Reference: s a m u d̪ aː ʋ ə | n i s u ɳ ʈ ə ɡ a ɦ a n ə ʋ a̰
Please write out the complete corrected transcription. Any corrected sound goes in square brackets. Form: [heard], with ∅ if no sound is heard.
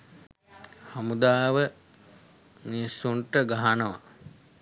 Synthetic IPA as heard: [h] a m u d̪ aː ʋ ə | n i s u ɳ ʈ ə ɡ a ɦ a n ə ʋ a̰

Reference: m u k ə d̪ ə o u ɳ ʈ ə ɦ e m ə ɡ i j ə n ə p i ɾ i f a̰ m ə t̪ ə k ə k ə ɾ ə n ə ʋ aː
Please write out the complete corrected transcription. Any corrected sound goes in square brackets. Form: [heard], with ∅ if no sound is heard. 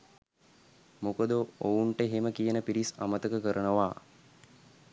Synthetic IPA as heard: m u k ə d̪ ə o u ɳ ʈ ə ɦ e m ə [k] i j ə n ə p i ɾ i [s] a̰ m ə t̪ ə k ə k ə ɾ ə n ə ʋ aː

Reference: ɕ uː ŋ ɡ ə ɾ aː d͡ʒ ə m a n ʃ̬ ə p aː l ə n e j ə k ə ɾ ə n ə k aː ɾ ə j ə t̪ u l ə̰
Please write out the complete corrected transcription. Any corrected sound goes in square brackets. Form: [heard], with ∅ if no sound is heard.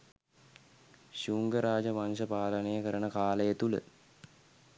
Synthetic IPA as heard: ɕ uː ŋ ɡ ə ɾ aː d͡ʒ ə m a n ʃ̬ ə p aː l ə n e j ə k ə ɾ ə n ə k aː [l] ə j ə t̪ u l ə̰

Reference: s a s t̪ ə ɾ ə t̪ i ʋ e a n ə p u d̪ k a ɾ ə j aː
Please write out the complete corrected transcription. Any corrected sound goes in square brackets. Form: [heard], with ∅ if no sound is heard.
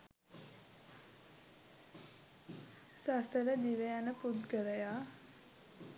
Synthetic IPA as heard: s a s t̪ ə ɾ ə [d̪] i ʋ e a n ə p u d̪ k [ə] ɾ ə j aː

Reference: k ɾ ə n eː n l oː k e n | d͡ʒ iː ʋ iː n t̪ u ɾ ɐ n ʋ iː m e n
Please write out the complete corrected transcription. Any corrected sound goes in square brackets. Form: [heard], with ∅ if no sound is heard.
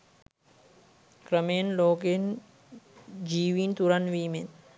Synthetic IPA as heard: k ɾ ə [m] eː n l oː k e n | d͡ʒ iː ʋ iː n t̪ u ɾ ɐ n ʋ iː m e n

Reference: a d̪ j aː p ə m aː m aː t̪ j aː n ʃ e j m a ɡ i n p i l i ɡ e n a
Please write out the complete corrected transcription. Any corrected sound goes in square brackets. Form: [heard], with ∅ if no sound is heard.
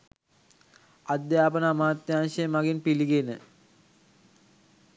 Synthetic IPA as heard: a d̪ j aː p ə [n] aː m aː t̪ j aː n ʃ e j m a ɡ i n p i l i ɡ e n [ə]

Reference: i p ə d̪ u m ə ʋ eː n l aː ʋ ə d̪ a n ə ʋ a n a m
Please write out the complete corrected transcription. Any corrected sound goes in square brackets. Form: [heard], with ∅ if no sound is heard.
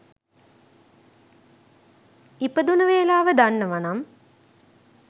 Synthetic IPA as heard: i p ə d̪ u [n] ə ʋ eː [∅] l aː ʋ ə d̪ a [nː] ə ʋ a n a m

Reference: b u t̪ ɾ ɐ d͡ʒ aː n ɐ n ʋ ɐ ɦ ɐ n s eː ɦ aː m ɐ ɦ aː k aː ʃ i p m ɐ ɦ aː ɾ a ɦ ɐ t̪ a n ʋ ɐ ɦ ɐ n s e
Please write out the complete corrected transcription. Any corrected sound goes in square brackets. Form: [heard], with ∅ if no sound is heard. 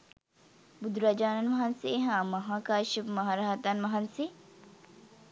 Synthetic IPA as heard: b u [d̪] ɾ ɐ d͡ʒ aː n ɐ n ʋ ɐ ɦ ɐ n s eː ɦ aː m ɐ ɦ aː k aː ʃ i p m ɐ ɦ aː ɾ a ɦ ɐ t̪ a n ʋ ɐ ɦ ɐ n s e

